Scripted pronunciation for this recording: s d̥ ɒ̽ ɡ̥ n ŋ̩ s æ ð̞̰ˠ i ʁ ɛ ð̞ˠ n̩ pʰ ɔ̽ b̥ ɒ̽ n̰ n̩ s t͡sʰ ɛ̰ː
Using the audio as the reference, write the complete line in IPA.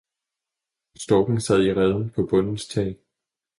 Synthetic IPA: s d̥ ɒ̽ ɡ̥ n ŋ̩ s æ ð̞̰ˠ i ʁ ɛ ð̞ˠ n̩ pʰ ɒ̽ b̥ ɔ̽ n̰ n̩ s t͡sʰ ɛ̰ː

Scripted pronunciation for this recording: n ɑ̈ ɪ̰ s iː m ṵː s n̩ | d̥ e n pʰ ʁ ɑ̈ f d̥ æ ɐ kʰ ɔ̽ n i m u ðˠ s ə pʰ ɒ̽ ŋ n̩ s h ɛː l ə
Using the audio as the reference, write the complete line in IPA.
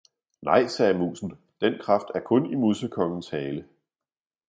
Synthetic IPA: n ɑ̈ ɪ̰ s ɛː m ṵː s n̩ | d̥ e n kʰ ʁ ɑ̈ f d̥ æ ɐ kʰ ɔ̽ n i m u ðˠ s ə kʰ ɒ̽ ŋ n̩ s h ɛː l ə

